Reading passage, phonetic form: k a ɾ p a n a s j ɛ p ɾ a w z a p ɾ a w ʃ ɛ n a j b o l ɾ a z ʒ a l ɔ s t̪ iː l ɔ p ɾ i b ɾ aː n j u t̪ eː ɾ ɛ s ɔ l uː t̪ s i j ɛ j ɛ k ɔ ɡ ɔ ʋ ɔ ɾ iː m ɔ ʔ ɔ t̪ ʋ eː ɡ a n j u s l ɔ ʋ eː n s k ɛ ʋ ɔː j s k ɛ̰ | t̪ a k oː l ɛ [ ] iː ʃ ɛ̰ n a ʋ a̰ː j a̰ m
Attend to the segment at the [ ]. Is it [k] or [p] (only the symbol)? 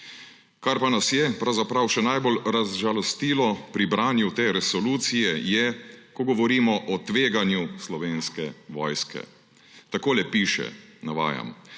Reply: p